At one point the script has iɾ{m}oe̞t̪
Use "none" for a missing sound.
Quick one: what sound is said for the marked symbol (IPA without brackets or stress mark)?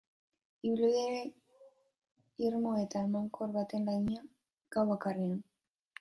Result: m